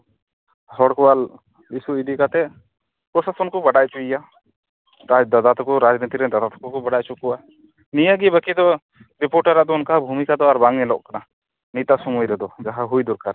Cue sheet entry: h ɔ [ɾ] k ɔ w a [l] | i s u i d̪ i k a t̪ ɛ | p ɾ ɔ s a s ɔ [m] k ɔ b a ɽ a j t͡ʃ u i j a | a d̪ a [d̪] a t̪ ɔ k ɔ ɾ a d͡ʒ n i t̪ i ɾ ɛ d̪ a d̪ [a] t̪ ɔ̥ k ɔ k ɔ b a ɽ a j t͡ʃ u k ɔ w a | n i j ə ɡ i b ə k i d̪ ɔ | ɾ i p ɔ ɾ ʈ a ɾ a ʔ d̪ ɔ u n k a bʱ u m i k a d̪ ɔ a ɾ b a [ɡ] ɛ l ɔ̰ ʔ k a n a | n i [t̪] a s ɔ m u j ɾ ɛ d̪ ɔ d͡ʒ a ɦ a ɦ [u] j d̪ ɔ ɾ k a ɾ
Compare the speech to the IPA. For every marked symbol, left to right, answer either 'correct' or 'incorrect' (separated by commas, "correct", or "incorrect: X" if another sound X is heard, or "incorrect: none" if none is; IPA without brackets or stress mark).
incorrect: ɽ, correct, incorrect: n, correct, correct, incorrect: ŋ, correct, correct